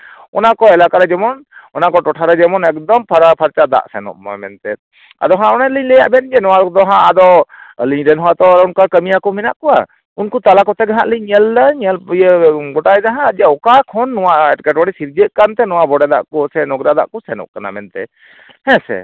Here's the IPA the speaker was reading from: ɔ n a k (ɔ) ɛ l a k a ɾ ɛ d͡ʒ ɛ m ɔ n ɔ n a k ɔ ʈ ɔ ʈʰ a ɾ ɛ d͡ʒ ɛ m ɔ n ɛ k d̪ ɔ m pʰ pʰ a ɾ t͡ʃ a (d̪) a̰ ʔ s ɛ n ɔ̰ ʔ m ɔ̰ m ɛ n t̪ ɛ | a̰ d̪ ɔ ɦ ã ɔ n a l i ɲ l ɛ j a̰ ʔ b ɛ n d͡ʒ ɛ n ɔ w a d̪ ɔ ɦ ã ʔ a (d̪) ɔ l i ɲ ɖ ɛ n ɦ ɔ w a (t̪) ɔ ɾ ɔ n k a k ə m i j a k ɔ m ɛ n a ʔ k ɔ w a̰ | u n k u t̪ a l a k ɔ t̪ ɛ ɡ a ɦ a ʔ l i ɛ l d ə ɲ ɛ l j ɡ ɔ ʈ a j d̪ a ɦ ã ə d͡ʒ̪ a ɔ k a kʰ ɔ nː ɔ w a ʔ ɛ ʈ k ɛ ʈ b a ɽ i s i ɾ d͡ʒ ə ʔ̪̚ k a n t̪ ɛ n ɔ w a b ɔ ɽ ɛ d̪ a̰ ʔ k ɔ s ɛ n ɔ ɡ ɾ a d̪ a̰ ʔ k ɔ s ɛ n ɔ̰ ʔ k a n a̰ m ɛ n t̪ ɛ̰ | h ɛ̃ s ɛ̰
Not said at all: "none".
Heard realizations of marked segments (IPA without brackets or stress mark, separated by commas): ɔ, d̪, d̪, t̪